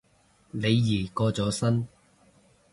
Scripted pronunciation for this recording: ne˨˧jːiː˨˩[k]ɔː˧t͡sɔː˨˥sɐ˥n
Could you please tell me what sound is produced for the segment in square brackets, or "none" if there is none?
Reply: k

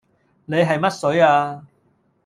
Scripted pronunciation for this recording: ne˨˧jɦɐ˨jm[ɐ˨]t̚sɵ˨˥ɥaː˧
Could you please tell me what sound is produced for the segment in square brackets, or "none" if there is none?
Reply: ɐ˥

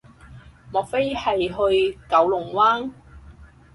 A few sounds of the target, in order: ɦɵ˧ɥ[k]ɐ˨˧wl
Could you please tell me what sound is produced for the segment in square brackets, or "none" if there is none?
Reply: k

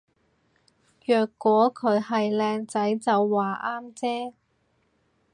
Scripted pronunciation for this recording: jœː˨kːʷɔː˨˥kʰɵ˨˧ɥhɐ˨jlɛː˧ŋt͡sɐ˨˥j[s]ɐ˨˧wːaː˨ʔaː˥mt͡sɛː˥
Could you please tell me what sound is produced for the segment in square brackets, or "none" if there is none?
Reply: t͡s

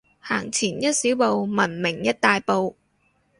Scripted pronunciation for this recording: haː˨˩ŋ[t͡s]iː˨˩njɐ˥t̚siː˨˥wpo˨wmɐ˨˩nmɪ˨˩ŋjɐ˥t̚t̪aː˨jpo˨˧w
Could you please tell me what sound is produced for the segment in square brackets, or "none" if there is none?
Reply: t͡sʰ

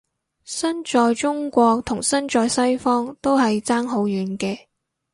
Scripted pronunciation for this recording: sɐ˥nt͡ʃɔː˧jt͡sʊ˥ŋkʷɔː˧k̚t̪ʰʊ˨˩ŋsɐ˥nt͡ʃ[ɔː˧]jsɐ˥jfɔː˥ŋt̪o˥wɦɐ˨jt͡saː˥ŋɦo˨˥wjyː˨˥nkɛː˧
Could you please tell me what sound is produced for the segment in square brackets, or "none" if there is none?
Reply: ɔː˧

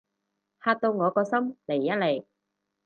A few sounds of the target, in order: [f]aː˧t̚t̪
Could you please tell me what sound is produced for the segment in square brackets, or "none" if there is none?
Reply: h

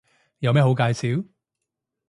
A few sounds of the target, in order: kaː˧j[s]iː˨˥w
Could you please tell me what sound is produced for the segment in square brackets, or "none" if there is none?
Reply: s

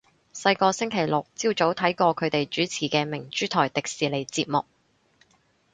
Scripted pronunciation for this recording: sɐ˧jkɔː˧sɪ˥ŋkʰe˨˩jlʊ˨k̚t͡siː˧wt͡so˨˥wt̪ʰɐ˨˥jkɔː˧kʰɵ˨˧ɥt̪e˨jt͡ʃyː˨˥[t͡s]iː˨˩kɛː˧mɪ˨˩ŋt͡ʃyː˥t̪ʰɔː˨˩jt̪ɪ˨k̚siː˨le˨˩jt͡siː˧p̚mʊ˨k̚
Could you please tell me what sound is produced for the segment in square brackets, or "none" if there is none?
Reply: t͡sʰ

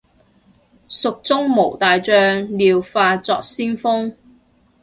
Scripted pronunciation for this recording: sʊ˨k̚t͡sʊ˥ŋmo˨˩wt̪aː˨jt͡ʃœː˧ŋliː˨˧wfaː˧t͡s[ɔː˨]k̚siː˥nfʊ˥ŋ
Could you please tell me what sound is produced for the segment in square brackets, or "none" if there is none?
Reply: ɔː˨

